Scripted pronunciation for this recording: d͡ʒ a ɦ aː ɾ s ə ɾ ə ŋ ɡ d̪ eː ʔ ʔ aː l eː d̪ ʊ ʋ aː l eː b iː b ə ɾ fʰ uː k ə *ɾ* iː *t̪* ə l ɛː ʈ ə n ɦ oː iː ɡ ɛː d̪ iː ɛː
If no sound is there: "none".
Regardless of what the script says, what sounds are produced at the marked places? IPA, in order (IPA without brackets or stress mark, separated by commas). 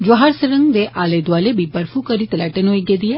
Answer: ɾ, t̪